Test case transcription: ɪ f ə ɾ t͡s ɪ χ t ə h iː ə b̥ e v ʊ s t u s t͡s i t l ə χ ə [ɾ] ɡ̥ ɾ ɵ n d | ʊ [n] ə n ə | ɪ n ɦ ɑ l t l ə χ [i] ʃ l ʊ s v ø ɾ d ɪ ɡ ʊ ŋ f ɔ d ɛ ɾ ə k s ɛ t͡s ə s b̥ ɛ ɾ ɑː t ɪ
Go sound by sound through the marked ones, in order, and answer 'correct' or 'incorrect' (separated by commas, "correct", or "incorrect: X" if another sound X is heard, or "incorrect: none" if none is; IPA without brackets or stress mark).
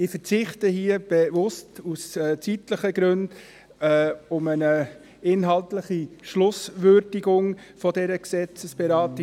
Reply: incorrect: none, incorrect: m, correct